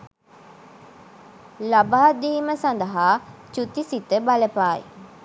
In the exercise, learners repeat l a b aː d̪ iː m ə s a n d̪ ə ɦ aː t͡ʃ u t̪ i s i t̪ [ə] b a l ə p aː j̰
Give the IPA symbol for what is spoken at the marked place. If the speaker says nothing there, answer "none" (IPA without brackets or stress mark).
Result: ə